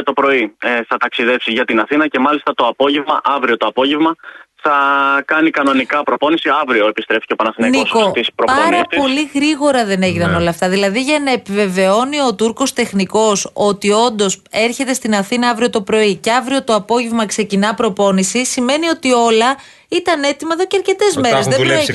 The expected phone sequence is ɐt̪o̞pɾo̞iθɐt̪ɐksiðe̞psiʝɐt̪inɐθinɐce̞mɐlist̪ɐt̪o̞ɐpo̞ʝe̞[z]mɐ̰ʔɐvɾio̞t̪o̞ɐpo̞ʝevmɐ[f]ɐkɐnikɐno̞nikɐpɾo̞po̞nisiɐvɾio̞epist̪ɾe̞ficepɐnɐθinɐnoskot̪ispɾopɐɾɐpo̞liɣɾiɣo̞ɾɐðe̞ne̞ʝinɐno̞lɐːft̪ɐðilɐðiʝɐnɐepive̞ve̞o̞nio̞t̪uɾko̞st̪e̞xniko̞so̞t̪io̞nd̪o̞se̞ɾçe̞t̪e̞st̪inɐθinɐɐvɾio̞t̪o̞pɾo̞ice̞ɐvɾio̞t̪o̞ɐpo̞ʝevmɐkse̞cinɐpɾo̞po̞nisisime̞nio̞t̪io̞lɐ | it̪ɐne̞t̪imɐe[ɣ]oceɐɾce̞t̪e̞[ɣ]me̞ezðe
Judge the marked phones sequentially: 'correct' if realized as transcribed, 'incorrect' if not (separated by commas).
incorrect, incorrect, incorrect, incorrect